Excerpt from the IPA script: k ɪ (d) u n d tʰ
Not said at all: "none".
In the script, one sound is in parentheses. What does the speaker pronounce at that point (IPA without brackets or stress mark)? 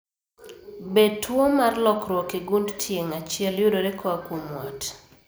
ɡ